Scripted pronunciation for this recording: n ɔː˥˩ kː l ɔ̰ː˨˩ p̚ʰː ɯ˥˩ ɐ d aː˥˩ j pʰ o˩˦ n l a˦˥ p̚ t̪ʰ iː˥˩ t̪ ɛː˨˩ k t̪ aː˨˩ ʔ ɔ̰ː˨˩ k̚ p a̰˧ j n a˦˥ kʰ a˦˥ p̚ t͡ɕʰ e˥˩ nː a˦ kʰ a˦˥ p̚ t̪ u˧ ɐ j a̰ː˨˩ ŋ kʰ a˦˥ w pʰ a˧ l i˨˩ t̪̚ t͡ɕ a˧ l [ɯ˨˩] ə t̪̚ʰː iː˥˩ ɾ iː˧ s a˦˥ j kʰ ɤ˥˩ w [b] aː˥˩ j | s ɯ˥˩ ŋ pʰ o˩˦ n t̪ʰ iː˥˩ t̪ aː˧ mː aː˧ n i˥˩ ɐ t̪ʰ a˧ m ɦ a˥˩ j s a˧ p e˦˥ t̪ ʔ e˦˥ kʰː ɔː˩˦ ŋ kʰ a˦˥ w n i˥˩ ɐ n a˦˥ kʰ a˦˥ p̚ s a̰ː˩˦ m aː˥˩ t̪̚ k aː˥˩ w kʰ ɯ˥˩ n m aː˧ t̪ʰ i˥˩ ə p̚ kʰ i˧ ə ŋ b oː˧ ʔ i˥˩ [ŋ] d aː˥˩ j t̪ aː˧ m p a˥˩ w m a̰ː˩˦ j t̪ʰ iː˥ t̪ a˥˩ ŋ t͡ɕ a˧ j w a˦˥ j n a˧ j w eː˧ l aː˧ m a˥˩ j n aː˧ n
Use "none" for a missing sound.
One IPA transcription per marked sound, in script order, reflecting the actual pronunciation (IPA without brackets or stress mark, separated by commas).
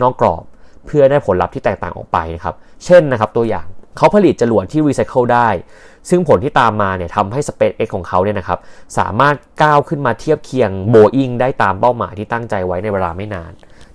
u˨˩, d, ŋ